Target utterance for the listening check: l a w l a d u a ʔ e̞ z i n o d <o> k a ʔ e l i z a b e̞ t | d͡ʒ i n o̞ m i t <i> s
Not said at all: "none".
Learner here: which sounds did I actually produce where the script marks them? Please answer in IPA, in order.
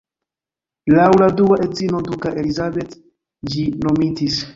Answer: u, i

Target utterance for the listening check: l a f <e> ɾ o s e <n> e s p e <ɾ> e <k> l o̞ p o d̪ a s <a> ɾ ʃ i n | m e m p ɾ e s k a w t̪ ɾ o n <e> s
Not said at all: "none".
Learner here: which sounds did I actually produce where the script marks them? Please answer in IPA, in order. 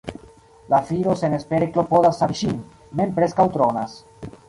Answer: i, n, ɾ, k, a, a

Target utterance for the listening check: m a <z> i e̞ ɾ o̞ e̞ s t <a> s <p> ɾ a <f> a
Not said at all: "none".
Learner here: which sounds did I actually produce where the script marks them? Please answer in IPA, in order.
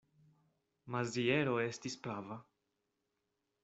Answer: z, i, p, v

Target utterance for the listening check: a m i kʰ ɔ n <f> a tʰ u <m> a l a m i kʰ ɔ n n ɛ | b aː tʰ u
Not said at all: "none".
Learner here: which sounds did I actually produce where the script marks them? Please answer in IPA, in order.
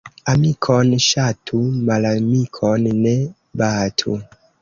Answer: ʃ, m

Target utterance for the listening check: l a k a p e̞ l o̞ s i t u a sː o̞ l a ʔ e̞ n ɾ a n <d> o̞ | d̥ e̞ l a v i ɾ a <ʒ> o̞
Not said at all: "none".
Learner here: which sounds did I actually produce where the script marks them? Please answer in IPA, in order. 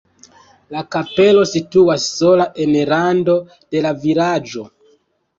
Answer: d, d͡ʒ

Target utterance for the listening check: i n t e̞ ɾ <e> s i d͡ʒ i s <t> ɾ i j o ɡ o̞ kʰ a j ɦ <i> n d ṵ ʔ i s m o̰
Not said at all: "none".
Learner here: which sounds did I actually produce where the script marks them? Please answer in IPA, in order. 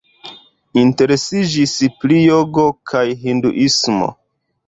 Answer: e, p, i

